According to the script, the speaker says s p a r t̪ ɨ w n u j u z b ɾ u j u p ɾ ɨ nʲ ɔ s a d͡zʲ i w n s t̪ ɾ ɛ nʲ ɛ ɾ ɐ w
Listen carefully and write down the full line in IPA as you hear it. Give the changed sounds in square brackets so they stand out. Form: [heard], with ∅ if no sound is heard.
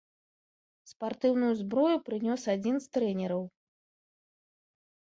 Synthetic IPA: s p a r t̪ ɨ w n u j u z b ɾ [ɔ] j u p ɾ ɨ nʲ ɔ s a d͡zʲ i [∅] n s t̪ ɾ ɛ nʲ ɛ ɾ ɐ w

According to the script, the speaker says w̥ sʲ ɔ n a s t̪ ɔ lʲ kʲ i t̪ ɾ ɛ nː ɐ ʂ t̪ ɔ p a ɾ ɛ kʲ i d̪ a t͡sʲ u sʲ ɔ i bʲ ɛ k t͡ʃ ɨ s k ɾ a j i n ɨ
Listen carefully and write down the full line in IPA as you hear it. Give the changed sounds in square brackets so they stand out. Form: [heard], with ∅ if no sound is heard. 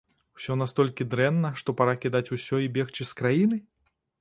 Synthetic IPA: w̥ sʲ ɔ n a s t̪ ɔ lʲ kʲ i [d̪] ɾ ɛ nː ɐ ʂ t̪ ɔ p a ɾ [a] kʲ i d̪ a t͡sʲ u sʲ ɔ i bʲ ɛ [x] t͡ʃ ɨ s k ɾ a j i n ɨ

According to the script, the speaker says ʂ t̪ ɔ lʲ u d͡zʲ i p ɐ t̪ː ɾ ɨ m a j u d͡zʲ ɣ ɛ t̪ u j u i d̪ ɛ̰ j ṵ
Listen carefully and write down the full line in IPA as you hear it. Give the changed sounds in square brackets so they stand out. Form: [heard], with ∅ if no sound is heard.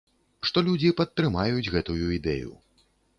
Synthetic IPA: ʂ t̪ ɔ lʲ u d͡zʲ i p ɐ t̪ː ɾ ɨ m a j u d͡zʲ ɣ ɛ t̪ u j u i d̪ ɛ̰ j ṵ

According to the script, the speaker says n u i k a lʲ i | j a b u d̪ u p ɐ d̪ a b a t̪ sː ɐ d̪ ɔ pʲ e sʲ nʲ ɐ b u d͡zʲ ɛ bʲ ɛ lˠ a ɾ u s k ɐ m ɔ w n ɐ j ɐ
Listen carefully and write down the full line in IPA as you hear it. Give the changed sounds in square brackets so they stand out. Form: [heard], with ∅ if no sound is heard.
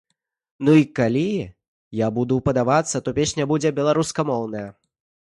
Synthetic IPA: n u i k a lʲ i | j a b u d̪ u p ɐ d̪ a [v] a t̪ sː ɐ [t̪] ɔ pʲ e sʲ nʲ ɐ b u d͡zʲ ɛ bʲ ɛ lˠ a ɾ u s k ɐ m ɔ w n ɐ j ɐ

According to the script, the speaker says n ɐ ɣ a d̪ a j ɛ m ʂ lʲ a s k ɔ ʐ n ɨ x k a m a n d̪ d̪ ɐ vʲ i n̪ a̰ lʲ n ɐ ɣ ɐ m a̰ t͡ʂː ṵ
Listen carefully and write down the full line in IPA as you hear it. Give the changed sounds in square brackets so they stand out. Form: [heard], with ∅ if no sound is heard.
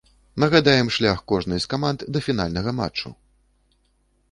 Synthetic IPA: n ɐ ɣ a d̪ a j ɛ m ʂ lʲ a [x] k ɔ ʐ n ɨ [s] k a m a n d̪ d̪ ɐ [fʲ] i n̪ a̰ lʲ n ɐ ɣ ɐ m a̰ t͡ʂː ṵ

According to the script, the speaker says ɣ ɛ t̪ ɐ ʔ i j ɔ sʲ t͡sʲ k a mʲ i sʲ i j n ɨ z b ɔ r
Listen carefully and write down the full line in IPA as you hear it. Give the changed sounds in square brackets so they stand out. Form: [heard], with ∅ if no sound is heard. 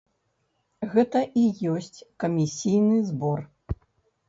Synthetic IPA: ɣ ɛ t̪ ɐ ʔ i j ɔ sʲ t͡sʲ k [ɐ] mʲ i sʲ i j n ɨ z b ɔ r

